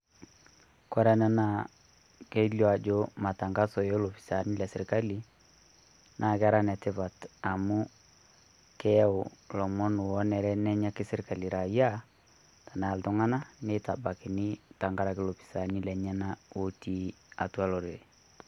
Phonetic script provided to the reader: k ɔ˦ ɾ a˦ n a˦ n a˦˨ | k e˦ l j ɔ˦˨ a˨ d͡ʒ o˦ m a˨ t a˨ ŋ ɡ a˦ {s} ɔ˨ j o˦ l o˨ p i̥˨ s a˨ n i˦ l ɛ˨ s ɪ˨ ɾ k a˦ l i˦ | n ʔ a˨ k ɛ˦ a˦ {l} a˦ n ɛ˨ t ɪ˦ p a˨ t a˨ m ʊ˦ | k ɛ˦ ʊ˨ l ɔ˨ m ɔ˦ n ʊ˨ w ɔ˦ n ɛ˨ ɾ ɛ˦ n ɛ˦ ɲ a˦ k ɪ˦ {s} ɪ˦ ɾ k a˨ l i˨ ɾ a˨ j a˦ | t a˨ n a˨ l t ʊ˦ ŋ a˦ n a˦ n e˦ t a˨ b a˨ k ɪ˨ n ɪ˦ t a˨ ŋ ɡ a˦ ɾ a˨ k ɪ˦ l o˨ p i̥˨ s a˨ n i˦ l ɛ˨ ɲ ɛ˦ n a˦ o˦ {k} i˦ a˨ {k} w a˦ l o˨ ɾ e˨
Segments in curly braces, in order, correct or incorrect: correct, incorrect: ɾ, correct, incorrect: t, incorrect: t

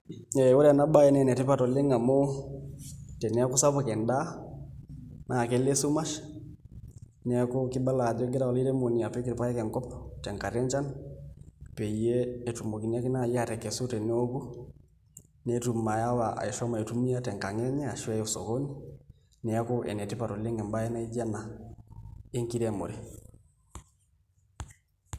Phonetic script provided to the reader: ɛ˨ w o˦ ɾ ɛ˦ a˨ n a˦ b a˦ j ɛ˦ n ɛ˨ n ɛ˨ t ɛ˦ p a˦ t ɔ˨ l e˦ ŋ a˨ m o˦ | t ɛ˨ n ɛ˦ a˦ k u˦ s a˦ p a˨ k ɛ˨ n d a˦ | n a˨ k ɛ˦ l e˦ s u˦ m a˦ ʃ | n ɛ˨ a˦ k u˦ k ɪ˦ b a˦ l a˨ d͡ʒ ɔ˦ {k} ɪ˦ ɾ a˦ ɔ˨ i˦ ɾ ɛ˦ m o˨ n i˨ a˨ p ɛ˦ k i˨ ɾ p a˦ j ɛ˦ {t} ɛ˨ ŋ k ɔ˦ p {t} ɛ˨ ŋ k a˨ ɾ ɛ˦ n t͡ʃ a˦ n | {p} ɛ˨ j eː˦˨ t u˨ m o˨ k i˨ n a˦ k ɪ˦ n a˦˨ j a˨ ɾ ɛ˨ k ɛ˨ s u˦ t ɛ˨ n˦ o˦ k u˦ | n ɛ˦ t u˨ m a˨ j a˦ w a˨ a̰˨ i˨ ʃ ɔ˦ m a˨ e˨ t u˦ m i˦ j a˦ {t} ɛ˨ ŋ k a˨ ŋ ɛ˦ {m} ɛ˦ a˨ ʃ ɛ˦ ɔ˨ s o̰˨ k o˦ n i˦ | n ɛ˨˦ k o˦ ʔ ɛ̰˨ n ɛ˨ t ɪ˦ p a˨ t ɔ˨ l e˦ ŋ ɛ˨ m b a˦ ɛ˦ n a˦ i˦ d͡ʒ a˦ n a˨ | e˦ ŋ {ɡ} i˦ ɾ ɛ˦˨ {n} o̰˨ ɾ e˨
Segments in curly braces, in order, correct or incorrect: incorrect: ɡ, incorrect: k, correct, correct, correct, incorrect: ɲ, incorrect: k, incorrect: m

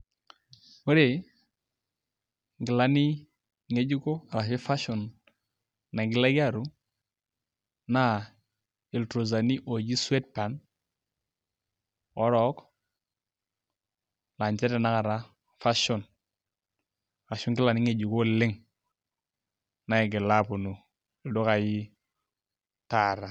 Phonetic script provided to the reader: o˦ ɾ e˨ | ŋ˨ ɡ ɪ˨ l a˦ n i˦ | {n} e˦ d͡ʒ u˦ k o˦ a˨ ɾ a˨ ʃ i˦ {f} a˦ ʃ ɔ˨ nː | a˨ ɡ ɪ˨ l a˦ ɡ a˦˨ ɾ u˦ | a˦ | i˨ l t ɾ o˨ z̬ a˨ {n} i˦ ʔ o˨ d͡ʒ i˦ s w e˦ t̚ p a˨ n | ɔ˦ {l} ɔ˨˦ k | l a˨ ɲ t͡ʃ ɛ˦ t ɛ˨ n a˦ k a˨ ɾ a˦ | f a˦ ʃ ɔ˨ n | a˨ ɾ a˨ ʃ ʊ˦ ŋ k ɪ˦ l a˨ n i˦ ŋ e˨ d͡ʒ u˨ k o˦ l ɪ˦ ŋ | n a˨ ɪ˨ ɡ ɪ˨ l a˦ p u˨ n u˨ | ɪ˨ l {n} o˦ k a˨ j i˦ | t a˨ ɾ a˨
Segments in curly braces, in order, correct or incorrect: incorrect: ŋ, correct, correct, incorrect: ɾ, incorrect: d

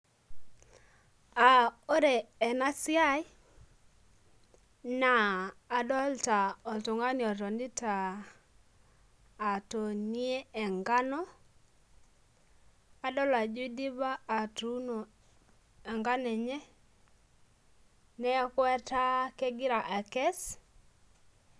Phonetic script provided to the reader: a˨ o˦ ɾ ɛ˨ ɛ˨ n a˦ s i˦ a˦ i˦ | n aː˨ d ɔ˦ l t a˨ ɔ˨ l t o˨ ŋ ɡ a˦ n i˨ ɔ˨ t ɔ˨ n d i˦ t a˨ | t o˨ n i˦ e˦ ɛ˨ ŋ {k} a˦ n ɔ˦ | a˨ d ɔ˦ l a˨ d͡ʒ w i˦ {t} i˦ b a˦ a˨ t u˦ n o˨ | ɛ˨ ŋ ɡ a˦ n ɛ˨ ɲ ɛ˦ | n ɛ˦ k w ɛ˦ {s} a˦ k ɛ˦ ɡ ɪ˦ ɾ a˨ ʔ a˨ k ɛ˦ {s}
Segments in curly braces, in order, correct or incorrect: incorrect: ɡ, incorrect: d, incorrect: t, correct

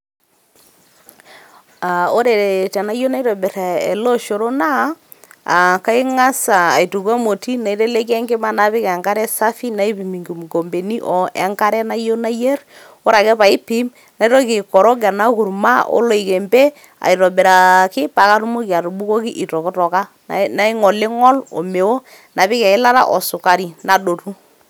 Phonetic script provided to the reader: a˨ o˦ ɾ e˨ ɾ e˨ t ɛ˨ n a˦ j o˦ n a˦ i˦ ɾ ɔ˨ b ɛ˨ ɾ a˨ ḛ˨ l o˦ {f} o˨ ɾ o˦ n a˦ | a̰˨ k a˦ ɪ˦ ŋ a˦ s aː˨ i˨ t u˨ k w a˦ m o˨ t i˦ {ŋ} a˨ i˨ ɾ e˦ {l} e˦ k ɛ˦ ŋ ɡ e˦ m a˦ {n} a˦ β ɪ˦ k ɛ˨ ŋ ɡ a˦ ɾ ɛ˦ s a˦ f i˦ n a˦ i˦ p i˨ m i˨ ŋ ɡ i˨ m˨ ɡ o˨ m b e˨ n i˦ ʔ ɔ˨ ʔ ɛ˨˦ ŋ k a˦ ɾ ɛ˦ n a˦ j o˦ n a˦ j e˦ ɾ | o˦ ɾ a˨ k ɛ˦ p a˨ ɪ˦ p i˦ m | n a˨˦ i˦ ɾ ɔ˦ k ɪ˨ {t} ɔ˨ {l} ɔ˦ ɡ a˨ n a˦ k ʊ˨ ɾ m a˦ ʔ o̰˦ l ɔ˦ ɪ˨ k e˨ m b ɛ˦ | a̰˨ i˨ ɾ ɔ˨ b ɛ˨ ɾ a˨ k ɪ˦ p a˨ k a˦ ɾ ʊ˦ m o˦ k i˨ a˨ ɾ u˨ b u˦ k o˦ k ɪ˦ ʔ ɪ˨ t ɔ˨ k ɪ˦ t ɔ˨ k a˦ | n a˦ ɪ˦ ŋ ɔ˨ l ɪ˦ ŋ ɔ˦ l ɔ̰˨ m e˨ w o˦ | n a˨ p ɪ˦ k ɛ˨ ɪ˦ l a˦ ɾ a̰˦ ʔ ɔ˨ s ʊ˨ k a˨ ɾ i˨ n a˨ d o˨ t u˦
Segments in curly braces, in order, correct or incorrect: incorrect: ʃ, incorrect: n, correct, correct, incorrect: k, incorrect: ɾ

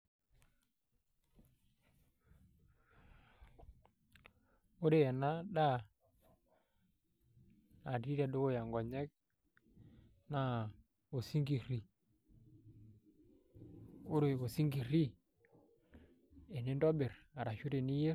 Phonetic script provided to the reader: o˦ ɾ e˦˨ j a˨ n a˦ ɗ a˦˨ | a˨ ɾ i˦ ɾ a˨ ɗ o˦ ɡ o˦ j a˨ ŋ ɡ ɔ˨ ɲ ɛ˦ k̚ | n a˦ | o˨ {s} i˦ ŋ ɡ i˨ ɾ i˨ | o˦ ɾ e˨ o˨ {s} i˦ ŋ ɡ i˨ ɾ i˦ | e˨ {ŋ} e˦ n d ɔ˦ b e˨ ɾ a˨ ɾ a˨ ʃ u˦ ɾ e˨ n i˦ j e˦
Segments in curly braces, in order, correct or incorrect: correct, correct, incorrect: n

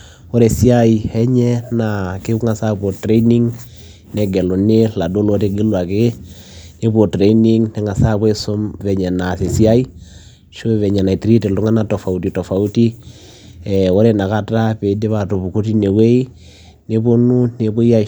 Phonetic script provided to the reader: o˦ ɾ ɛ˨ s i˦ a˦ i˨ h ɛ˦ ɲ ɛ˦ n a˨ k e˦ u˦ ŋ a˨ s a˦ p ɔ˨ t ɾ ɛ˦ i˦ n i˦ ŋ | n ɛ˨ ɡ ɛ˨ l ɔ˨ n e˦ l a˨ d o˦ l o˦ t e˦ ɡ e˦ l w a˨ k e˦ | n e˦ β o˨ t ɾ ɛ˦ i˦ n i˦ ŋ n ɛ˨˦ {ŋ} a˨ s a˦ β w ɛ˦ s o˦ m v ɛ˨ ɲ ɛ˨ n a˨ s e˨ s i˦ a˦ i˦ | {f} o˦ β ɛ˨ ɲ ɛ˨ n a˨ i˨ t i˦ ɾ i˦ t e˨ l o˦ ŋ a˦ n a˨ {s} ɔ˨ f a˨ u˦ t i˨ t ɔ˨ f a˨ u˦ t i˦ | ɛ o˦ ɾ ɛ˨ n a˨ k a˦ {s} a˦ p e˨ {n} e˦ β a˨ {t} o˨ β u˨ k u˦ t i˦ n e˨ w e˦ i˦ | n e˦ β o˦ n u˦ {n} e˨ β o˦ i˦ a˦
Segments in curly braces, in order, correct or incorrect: correct, incorrect: ʃ, incorrect: t, incorrect: t, incorrect: d, correct, correct

